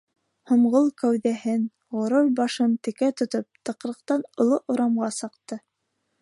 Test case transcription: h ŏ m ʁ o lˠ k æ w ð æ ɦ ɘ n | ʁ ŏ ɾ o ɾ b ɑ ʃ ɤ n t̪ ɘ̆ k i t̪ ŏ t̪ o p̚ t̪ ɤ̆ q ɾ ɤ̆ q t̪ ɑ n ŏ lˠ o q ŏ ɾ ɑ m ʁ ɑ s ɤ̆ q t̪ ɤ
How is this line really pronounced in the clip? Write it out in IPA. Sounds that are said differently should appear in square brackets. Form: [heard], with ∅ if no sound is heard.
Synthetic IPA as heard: h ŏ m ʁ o lˠ k æ w ð æ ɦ ɘ n | ʁ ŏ ɾ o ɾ b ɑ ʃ ɤ n t̪ ɘ̆ k [æ] t̪ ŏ t̪ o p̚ t̪ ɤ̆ q ɾ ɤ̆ q t̪ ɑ n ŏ lˠ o [ʔ] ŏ ɾ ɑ m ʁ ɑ s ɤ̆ q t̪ ɤ

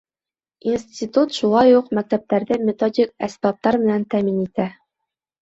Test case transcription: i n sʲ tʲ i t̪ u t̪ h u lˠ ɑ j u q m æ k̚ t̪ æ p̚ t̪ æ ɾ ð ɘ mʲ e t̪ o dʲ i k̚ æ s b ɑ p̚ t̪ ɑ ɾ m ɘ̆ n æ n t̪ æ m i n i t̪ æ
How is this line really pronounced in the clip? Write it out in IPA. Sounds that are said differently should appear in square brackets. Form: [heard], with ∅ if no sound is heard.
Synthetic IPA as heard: i n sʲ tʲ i t̪ u t̪ [ʃ] u lˠ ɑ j u q m æ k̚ t̪ æ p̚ t̪ æ ɾ ð ɘ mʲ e t̪ o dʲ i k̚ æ s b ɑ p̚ t̪ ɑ ɾ m ɘ̆ n æ n t̪ æ m i n i t̪ æ

